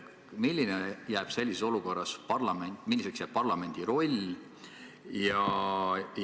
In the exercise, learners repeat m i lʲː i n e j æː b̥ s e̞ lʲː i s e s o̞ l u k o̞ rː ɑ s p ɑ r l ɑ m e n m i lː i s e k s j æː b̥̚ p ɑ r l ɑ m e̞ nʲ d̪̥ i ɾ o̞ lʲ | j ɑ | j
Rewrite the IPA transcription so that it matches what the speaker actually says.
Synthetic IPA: m i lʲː i n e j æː b̥ s e̞ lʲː i s e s o̞ l u k o̞ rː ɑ s p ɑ r l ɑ m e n m i lː i s e k s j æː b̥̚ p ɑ r l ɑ m e̞ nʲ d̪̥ i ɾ o̞ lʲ | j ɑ | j